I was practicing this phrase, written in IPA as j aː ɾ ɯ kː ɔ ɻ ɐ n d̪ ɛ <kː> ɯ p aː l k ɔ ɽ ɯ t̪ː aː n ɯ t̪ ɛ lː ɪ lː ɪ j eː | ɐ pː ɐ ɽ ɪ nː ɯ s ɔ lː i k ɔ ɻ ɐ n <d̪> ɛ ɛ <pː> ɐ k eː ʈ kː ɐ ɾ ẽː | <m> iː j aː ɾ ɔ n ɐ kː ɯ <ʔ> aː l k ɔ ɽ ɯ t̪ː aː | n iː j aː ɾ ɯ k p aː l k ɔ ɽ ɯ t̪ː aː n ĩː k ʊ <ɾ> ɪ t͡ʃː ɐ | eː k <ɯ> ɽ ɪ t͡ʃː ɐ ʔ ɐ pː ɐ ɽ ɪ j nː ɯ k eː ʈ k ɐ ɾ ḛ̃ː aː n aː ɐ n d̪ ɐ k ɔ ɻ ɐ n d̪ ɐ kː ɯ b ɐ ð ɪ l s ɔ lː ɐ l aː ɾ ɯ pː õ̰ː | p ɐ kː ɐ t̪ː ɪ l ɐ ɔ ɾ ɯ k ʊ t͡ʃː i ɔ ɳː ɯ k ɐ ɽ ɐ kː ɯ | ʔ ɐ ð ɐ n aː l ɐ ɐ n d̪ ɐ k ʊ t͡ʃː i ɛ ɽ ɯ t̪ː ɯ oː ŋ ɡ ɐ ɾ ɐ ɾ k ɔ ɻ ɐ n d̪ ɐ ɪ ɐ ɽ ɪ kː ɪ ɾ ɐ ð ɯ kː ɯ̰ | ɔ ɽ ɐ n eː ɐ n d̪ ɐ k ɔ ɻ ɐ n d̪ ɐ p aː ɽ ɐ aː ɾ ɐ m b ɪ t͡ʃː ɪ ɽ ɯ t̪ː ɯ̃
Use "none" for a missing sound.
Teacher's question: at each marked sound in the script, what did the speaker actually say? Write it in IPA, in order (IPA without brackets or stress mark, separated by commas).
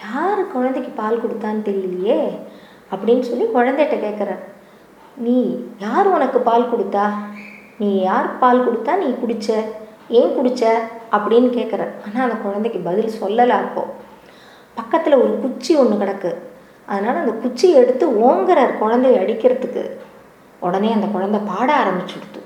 kː, d̪, ʈː, n, p, ɽ, ʊ